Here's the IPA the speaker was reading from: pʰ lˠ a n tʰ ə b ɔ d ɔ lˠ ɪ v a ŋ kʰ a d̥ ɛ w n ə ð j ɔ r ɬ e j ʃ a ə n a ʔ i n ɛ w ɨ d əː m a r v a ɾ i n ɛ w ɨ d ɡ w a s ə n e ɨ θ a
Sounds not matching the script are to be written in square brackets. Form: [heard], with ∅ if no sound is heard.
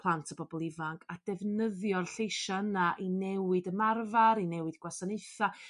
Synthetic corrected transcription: pʰ lˠ a n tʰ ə b ɔ [b] ɔ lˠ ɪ v a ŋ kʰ a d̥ ɛ [v] n ə ð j ɔ r ɬ e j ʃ a ə n a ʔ i n ɛ w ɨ d [ə] m a r v a ɾ i n ɛ w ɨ d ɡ w a s [a] n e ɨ θ a